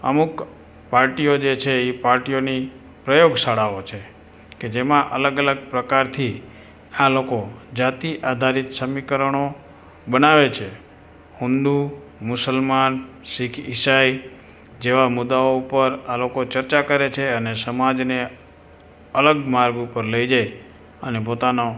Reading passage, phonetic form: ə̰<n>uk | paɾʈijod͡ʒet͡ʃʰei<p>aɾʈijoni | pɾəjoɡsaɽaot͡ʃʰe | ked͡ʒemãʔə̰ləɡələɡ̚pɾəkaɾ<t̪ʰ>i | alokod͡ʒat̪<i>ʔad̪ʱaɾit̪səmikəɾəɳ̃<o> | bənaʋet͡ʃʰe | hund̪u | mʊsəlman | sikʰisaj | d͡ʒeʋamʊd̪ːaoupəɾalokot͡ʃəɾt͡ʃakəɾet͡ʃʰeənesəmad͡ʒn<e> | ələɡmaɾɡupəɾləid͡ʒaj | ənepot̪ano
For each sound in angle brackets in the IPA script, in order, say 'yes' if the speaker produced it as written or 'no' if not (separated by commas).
no, yes, yes, yes, yes, yes